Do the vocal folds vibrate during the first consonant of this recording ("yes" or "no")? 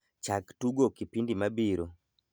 no